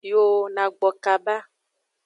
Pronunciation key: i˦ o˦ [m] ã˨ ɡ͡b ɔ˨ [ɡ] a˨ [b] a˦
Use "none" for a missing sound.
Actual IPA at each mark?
n, k, b

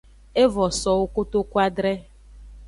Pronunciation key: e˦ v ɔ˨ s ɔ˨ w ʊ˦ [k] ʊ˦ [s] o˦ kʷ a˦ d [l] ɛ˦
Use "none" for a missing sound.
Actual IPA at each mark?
k, t, ɾ

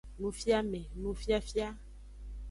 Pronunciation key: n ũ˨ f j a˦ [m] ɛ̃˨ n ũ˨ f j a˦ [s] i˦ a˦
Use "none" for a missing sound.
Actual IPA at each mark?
m, f

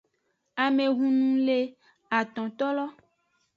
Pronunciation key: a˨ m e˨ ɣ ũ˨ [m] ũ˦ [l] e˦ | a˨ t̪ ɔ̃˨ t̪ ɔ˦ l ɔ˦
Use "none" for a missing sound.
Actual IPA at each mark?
n, l

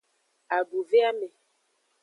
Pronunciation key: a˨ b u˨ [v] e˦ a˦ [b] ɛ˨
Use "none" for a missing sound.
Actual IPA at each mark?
v, m

